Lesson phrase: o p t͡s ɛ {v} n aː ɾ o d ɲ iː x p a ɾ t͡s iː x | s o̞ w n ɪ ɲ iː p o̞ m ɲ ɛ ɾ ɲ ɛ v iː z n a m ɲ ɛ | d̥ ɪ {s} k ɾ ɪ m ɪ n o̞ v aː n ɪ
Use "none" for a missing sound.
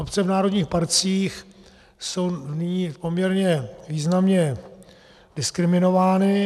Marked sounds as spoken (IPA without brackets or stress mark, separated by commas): v, s